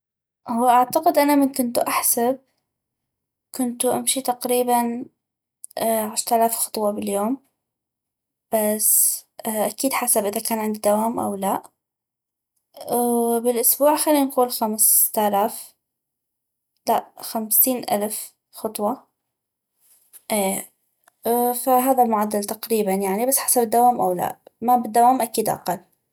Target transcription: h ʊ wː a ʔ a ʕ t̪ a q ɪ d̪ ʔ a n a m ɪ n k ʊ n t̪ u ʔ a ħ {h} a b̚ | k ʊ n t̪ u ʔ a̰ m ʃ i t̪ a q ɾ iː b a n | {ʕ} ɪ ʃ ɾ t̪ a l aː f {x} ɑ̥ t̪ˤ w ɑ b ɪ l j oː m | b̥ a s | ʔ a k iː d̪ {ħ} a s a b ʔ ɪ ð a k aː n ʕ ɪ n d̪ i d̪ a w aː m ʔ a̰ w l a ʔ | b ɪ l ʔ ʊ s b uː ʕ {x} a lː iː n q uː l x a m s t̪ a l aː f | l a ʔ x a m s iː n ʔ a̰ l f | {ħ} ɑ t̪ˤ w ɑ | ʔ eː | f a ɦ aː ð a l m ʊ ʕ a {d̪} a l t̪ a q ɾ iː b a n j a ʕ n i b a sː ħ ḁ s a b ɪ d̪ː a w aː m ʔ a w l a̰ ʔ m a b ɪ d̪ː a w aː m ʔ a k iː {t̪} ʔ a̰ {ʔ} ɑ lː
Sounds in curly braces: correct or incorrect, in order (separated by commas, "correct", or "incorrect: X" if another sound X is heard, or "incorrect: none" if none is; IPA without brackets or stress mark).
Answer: incorrect: s, correct, correct, correct, correct, incorrect: x, incorrect: d̪ː, incorrect: d̪, incorrect: q